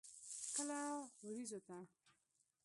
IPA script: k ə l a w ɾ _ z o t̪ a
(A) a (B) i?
B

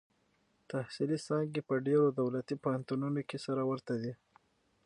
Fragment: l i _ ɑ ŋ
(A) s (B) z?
A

